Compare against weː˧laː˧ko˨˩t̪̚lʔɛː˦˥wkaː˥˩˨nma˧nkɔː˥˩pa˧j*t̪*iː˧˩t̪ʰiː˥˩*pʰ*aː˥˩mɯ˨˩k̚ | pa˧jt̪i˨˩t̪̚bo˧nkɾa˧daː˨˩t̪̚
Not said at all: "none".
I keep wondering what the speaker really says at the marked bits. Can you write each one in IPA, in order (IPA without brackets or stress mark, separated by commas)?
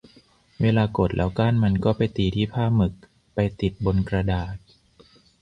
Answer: t̪, pʰ